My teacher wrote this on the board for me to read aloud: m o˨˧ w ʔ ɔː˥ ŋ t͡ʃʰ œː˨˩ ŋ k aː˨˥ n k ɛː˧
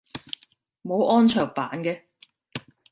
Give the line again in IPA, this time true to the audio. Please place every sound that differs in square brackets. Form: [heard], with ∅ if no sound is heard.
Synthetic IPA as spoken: m o˨˧ w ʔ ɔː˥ [n] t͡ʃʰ œː˨˩ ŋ [p] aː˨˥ n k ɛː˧